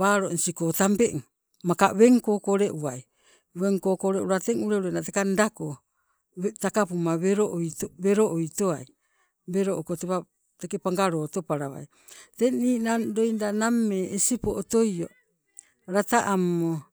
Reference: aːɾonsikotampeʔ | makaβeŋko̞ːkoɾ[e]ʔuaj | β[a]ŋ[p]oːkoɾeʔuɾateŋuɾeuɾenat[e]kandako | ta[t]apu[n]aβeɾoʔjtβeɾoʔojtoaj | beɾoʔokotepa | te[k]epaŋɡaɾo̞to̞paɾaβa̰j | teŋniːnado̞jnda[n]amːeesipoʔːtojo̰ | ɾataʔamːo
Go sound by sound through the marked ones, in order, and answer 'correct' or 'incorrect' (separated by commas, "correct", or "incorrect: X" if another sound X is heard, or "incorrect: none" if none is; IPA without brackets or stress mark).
correct, incorrect: e, incorrect: k, correct, incorrect: k, incorrect: m, correct, correct